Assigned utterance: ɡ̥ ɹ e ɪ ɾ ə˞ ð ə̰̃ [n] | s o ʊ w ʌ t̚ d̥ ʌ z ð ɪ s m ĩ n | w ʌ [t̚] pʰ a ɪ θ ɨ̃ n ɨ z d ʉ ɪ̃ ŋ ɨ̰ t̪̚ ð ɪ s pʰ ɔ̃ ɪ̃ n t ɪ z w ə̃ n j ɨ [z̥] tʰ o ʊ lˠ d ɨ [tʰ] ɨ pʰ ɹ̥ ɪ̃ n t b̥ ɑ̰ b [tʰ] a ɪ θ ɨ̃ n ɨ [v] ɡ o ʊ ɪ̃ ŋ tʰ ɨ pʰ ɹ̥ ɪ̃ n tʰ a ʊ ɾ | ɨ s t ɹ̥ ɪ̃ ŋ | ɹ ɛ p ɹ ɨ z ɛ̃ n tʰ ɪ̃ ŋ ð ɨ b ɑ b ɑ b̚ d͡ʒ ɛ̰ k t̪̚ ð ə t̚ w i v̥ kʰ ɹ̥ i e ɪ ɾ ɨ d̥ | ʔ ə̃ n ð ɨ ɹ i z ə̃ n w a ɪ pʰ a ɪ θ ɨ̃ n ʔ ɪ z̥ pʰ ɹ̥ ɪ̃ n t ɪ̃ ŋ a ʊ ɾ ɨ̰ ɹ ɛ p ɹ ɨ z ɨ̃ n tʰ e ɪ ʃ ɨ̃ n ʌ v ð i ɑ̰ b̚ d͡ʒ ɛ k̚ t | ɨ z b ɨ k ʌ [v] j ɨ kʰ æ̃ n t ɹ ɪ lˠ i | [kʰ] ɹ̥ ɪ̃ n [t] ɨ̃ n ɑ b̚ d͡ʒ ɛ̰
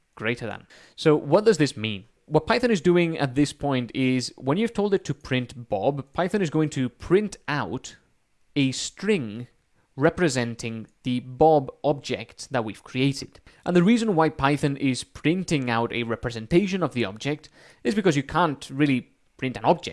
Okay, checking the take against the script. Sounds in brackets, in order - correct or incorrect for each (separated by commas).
correct, correct, incorrect, correct, incorrect, incorrect, incorrect, incorrect, correct